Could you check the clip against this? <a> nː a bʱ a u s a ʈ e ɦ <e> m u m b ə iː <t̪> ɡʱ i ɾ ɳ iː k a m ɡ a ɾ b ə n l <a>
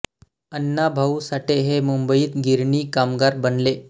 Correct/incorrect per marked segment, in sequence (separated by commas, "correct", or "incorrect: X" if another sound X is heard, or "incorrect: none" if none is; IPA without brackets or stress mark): incorrect: ə, correct, correct, incorrect: e